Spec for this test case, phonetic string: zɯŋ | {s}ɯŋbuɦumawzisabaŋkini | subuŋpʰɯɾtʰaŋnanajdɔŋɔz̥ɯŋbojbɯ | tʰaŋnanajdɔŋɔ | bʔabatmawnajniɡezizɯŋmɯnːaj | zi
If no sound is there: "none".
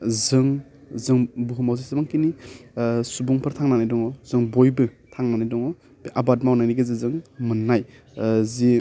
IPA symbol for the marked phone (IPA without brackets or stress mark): z